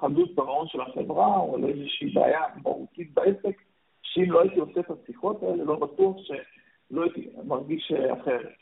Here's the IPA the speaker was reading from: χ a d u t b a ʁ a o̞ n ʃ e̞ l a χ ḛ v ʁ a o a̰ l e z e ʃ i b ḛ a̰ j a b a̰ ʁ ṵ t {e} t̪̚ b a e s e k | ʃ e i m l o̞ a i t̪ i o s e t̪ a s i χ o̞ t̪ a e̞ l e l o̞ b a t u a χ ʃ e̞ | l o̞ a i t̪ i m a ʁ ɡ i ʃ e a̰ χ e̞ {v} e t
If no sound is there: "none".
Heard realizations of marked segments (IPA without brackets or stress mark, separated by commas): i, ʁ